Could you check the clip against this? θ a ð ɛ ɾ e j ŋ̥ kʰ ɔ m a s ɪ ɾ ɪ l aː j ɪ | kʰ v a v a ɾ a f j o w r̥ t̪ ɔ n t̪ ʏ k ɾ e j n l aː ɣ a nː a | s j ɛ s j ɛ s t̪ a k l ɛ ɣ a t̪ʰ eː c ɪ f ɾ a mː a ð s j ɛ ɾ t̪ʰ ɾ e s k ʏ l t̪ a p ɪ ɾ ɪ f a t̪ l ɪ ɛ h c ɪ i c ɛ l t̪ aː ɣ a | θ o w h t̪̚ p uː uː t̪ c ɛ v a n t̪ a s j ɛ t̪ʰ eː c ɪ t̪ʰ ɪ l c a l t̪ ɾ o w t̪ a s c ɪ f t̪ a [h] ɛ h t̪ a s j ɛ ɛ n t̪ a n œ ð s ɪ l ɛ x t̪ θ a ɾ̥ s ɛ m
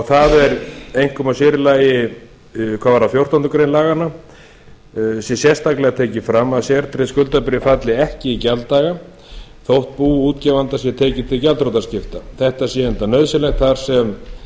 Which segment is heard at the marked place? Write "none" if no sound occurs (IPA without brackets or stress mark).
θ